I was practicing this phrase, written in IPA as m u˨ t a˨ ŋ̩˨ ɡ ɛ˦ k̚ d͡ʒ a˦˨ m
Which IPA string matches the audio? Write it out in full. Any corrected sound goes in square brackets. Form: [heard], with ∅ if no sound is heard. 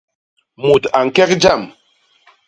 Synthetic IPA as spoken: m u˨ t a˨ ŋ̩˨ [k] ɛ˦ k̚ d͡ʒ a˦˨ m